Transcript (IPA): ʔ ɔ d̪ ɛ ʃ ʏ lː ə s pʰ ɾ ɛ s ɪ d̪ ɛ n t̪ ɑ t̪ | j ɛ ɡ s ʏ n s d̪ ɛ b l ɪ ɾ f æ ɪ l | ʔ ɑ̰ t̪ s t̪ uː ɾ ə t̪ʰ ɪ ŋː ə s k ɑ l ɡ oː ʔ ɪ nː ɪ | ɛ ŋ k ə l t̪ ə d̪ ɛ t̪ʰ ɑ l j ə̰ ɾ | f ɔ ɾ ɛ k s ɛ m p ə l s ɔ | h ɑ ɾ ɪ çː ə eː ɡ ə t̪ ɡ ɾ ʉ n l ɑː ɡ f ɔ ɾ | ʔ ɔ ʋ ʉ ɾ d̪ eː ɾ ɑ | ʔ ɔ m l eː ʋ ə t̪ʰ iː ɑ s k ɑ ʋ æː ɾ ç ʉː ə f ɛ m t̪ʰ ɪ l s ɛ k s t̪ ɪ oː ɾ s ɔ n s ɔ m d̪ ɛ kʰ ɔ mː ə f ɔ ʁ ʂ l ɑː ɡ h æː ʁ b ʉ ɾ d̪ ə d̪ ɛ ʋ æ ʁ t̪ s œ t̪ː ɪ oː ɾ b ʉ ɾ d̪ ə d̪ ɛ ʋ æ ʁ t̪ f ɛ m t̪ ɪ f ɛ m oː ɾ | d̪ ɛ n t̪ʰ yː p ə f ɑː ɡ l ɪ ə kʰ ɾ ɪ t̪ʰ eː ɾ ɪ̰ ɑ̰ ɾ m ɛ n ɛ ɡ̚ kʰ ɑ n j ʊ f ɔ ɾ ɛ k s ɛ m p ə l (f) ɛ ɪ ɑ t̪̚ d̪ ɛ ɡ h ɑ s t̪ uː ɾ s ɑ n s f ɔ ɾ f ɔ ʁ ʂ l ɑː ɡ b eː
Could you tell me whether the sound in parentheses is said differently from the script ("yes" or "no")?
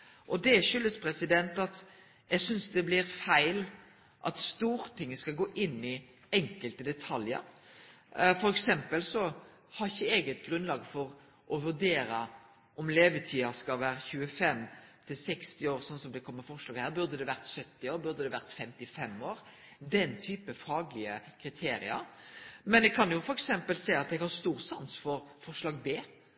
yes